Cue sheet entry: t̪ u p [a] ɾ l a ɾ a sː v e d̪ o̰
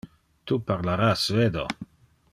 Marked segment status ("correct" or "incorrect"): correct